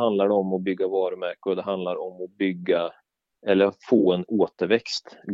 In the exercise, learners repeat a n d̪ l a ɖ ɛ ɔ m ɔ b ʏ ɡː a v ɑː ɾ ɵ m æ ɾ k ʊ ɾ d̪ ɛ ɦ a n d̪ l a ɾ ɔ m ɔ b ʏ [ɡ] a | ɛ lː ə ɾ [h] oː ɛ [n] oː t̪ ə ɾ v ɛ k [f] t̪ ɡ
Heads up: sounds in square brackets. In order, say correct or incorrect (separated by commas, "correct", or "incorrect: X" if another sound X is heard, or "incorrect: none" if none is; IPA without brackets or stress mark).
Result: incorrect: ɡː, incorrect: f, correct, incorrect: s